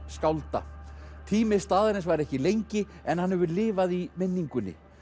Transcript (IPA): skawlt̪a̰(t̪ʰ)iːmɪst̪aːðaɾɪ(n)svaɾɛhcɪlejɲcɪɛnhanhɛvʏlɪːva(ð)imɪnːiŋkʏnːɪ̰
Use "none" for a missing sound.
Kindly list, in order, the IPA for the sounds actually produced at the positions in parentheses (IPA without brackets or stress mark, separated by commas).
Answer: t̪ʰ, n, ð